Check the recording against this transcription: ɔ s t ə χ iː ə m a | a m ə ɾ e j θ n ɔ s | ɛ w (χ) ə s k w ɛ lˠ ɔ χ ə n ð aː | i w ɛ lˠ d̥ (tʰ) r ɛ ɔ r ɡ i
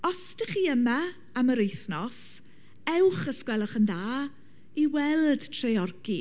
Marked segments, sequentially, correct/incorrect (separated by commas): correct, correct